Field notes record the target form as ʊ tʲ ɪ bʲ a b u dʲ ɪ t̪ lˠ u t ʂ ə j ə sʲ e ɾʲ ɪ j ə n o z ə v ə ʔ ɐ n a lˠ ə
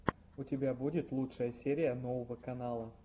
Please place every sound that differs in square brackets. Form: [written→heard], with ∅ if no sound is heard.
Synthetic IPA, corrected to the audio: ʊ tʲ ɪ bʲ a b u dʲ ɪ t̪ lˠ u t ʂ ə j ə sʲ e ɾʲ ɪ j ə n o [z→v] ə v ə [ʔ→k] ɐ n a lˠ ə